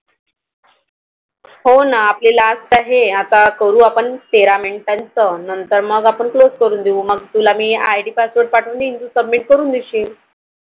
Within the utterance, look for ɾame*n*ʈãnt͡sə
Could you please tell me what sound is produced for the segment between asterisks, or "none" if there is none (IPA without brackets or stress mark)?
ɳ